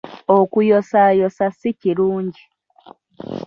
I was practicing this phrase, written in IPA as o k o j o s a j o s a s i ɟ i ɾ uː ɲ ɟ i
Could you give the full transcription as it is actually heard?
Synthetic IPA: o k u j o s a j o s a s i c i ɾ uː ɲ ɟ i